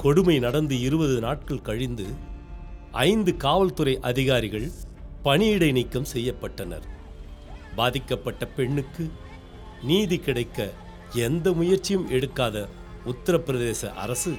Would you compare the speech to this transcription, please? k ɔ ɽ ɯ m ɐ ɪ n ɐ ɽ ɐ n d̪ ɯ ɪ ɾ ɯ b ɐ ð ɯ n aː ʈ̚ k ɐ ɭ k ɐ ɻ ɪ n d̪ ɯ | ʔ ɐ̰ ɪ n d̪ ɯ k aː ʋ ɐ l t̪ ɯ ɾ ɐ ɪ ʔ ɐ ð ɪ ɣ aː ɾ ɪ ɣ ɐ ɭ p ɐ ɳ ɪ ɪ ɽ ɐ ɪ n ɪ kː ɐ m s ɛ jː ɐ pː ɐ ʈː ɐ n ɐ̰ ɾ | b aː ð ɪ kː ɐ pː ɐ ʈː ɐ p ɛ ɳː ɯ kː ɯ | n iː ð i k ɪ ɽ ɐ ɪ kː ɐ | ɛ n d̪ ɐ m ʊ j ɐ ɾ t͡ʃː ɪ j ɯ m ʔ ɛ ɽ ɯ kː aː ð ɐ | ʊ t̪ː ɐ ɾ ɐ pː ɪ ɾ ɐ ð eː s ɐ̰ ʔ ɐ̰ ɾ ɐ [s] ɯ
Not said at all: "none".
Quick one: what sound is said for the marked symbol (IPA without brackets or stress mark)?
s